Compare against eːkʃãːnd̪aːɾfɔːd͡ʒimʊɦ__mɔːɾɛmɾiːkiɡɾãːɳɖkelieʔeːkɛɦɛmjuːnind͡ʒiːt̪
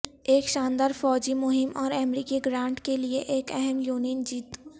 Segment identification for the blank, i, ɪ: ɪ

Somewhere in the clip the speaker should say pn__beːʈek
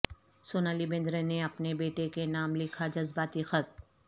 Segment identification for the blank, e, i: e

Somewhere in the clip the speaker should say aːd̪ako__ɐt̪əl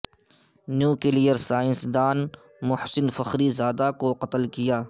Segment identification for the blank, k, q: q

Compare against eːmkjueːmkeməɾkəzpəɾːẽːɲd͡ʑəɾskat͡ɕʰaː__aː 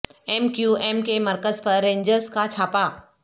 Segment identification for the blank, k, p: p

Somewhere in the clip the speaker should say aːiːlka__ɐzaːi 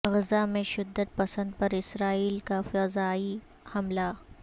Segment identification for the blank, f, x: f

